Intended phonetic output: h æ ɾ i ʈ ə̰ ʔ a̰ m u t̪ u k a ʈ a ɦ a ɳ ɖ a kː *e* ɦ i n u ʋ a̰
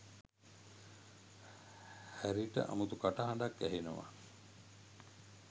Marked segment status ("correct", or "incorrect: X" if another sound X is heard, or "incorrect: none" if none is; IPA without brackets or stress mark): incorrect: æ